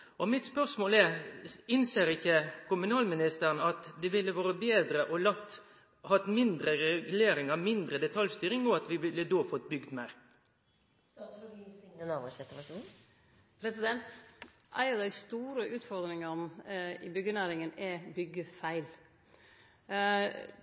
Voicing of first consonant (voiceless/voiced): voiced